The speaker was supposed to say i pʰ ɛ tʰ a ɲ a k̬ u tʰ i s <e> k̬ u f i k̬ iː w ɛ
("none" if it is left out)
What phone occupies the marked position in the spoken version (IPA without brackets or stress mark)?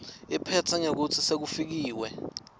e